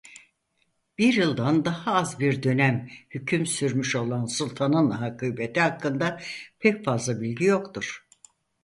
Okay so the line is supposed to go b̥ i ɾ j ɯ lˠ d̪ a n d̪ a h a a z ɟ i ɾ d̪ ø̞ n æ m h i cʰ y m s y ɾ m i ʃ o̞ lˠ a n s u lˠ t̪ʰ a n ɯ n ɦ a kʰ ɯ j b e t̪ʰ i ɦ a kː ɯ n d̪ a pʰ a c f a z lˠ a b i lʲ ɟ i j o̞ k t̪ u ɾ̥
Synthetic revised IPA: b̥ i ɾ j ɯ lˠ d̪ a n d̪ a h a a z b i ɾ d̪ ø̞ n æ m h y cʰ y m s y ɾ m y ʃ o̞ lˠ a n s u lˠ t̪ʰ a n ɯ n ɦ a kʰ ɯ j b e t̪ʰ i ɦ a kː ɯ n d̪ a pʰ ɛ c f a z lˠ a b i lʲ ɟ i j o̞ k t̪ u ɾ̥